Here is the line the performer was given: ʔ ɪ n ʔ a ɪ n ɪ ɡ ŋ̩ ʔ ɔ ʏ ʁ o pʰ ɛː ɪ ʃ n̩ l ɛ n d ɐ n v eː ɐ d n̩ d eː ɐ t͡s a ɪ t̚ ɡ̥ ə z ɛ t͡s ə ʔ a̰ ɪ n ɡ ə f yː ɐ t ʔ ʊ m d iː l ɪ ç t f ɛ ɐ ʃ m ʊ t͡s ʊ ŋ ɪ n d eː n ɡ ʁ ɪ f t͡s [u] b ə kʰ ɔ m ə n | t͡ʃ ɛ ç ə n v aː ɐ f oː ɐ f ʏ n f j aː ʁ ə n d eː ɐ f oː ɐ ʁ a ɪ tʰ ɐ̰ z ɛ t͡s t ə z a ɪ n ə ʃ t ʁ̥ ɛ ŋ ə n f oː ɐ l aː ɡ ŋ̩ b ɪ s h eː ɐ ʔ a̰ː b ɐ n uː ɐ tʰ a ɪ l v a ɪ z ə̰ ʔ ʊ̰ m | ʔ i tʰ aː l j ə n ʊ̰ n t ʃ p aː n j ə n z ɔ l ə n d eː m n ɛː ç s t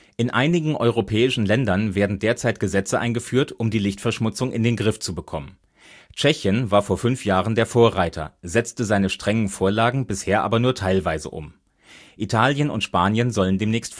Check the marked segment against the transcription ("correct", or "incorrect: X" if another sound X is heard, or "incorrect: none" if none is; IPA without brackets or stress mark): correct